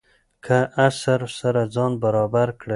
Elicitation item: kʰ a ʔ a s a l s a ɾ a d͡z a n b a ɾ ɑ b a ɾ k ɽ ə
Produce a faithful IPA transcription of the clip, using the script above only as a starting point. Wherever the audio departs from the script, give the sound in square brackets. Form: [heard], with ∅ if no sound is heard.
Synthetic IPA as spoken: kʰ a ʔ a s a [ɾ] s a ɾ a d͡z [ɑ] n b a ɾ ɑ b a ɾ k ɽ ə